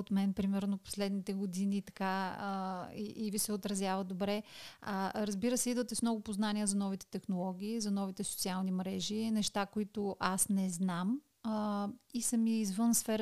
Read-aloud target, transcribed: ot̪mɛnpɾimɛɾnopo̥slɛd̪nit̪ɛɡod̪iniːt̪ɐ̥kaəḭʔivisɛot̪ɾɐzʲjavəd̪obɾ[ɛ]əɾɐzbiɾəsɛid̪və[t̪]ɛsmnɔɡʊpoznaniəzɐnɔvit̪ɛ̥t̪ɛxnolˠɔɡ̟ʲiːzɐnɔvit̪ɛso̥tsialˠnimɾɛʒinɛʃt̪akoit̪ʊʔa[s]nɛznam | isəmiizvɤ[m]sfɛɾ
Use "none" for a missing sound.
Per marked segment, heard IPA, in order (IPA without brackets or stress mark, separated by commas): ɛ, t̪, s, n